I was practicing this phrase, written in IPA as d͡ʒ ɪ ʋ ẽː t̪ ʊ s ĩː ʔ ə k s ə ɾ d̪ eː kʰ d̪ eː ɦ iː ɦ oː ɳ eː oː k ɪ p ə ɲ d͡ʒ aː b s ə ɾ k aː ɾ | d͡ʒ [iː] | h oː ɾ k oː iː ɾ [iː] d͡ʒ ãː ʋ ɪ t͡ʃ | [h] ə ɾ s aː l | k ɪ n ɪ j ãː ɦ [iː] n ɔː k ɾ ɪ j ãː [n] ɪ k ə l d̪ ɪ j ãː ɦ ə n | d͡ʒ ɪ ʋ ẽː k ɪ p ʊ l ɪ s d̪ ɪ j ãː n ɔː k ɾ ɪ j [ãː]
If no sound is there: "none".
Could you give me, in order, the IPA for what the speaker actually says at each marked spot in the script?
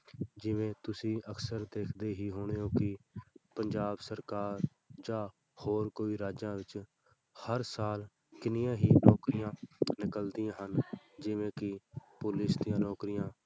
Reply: aː, aː, h, iː, n, ãː

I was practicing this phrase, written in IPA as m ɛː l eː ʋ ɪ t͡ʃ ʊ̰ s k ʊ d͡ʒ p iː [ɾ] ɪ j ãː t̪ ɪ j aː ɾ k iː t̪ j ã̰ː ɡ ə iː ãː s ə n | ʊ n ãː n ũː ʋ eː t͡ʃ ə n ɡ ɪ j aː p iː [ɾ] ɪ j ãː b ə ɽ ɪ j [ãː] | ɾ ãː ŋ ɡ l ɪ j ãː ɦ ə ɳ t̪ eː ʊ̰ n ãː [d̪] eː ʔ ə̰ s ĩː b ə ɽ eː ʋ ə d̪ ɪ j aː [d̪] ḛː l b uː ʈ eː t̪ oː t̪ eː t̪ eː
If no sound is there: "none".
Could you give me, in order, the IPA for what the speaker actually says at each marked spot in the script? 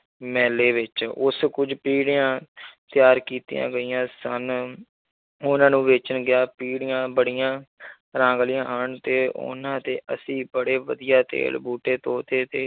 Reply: ɽ, ɽ, ãː, t̪, t̪

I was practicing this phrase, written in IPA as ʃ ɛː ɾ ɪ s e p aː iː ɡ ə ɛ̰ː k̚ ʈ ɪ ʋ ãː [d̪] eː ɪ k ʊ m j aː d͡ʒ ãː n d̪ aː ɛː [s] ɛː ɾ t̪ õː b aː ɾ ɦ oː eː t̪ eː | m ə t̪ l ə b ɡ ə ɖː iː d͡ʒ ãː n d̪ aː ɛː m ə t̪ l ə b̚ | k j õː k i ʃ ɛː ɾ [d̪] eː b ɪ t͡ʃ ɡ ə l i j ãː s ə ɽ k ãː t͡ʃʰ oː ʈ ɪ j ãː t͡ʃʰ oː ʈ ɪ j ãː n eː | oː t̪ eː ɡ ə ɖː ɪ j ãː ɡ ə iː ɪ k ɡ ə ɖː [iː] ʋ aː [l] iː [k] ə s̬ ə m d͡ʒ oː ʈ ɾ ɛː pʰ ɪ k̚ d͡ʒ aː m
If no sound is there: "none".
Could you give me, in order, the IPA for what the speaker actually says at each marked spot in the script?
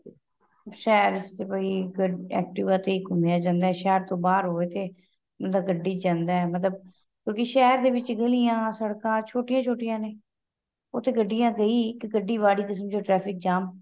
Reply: t̪, ʃ, d̪, iː, ɽ, k

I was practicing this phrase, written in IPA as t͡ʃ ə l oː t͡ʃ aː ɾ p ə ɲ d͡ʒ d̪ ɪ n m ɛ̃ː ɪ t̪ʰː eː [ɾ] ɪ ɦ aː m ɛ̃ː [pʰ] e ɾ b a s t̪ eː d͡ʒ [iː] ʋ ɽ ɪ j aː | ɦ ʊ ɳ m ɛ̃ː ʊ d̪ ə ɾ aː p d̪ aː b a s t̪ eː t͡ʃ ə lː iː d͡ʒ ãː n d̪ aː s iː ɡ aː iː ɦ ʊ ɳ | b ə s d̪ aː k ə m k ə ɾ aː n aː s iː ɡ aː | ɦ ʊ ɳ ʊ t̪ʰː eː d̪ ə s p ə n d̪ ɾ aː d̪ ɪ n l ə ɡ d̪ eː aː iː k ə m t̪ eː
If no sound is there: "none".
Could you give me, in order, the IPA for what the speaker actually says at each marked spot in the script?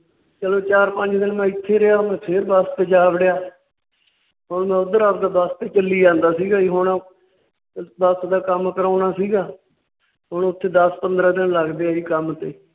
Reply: ɾ, pʰ, aː

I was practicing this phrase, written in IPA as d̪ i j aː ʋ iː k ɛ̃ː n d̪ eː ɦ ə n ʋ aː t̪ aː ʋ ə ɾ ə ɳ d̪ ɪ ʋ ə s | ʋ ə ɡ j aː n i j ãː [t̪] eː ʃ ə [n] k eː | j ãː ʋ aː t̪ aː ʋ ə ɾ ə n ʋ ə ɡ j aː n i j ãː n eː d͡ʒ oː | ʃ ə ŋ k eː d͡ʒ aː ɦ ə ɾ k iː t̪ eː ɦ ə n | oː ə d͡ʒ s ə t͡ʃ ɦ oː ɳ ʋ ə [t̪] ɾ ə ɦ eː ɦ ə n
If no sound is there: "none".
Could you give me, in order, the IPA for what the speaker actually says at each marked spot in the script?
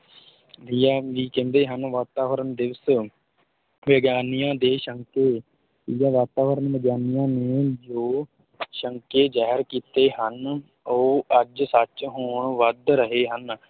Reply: d̪, ŋ, d̪

